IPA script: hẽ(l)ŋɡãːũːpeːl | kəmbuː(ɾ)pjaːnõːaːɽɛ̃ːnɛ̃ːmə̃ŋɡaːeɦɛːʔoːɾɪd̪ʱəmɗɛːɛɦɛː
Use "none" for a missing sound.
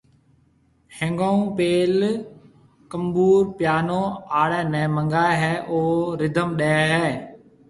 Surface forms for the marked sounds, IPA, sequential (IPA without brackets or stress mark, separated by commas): none, ɾ